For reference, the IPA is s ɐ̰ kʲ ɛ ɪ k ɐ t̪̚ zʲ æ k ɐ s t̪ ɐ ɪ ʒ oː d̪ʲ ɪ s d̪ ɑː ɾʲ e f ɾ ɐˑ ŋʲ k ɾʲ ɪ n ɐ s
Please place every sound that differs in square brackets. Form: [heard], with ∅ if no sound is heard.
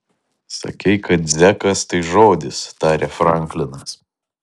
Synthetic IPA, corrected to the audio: s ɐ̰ kʲ ɛ ɪ k ɐ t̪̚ zʲ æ k ɐ s t̪ ɐ ɪ ʒ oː d̪ʲ ɪ s [t̪] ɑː ɾʲ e f ɾ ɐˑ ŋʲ k [lʲ] ɪ n ɐ s